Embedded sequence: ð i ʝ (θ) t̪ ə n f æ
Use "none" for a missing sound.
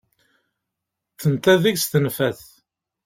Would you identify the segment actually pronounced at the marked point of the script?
s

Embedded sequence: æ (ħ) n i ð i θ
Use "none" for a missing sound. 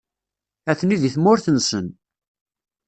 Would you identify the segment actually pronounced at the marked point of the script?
θ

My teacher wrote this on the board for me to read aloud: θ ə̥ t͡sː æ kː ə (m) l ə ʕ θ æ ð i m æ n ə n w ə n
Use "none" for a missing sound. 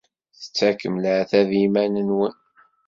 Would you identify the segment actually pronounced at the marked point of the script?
m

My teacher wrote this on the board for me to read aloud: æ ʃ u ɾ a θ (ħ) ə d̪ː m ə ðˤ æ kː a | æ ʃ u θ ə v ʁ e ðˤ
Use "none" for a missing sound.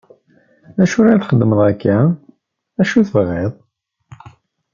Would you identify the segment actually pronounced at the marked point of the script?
χ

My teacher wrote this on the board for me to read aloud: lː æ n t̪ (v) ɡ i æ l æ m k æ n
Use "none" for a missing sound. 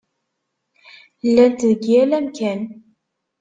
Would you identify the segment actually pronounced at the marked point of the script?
ð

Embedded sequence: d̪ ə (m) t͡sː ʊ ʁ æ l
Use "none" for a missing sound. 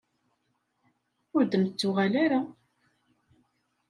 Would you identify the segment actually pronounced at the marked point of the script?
m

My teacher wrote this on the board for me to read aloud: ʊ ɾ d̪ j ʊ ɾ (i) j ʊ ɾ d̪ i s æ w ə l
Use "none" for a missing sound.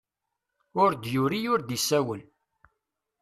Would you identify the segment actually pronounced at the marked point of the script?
i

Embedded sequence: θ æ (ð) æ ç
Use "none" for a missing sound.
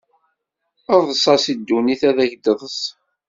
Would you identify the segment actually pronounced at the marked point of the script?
ð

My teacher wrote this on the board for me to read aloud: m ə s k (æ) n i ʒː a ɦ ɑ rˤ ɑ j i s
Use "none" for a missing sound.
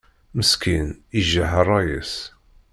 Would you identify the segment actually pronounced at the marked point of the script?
i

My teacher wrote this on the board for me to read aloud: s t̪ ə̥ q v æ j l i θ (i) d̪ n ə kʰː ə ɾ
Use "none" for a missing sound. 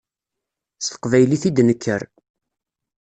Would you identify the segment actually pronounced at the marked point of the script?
i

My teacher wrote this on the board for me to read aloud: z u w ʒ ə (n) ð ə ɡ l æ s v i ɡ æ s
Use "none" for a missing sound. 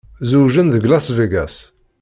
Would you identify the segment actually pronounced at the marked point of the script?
n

